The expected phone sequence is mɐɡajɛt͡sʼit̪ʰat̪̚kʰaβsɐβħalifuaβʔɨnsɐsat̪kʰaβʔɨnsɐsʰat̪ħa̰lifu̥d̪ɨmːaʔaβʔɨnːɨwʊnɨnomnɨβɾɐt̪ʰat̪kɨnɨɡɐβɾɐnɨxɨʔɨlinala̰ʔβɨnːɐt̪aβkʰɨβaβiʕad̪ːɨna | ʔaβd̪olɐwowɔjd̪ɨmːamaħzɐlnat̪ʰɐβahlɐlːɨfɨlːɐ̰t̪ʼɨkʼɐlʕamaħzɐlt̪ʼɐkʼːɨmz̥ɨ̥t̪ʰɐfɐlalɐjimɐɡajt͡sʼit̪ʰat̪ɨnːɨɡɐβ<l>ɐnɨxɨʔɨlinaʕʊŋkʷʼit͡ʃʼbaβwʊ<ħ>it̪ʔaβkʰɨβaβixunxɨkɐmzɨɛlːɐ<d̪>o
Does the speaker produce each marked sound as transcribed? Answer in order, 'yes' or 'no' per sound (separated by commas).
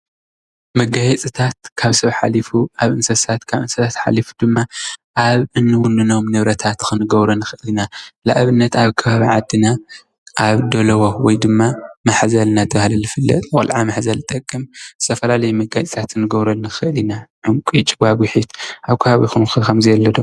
no, yes, yes